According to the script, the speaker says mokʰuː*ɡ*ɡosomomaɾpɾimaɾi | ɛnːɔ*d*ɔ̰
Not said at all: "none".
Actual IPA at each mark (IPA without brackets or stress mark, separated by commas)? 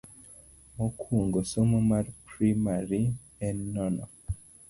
ŋ, n